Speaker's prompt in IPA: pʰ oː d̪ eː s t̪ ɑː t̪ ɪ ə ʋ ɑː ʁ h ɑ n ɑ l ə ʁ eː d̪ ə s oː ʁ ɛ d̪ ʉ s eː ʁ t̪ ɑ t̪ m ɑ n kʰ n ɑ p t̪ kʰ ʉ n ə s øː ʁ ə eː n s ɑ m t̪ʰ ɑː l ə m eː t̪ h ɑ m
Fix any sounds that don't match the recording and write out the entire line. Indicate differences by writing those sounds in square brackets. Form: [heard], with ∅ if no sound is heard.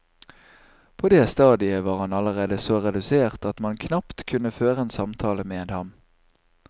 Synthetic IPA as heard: pʰ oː d̪ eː s t̪ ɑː [d̪] ɪ ə ʋ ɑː ʁ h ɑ n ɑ l ə ʁ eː d̪ ə s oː ʁ ɛ d̪ ʉ s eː ʁ t̪ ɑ t̪ m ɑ n kʰ n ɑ p t̪ kʰ ʉ n ə [f] øː ʁ ə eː n s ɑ m t̪ʰ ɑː l ə m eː [d̪] h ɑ m